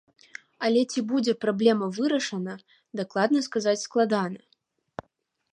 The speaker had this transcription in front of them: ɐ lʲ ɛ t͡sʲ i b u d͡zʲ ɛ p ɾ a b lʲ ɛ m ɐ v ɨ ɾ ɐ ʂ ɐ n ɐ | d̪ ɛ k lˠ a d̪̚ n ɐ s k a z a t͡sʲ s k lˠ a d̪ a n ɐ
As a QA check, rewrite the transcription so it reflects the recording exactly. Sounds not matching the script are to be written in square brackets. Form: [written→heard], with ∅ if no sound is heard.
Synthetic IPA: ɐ lʲ ɛ t͡sʲ i b u d͡zʲ ɛ p ɾ a b lʲ ɛ m ɐ v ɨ ɾ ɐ ʂ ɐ n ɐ | d̪ [ɛ→a] k lˠ a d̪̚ n ɐ s k a z a t͡sʲ s k lˠ a d̪ a n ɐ